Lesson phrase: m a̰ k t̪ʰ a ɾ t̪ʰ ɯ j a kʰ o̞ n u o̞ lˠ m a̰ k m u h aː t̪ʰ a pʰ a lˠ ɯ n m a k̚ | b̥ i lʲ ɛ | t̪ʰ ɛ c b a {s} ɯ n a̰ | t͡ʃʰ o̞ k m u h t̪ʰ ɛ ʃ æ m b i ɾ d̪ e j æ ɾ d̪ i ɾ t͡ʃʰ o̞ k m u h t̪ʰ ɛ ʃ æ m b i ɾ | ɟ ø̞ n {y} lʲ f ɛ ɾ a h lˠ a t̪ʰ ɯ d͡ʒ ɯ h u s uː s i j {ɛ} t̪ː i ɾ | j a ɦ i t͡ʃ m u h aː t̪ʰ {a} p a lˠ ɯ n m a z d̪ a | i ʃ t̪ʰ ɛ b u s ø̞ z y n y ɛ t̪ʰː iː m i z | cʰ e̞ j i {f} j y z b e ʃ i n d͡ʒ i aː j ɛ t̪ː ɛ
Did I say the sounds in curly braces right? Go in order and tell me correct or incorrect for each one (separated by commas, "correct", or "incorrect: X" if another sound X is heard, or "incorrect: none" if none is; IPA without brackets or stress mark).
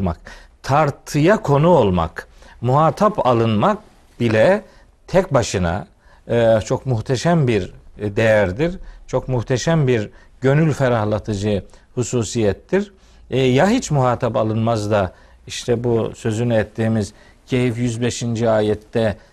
incorrect: ʃ, correct, correct, correct, correct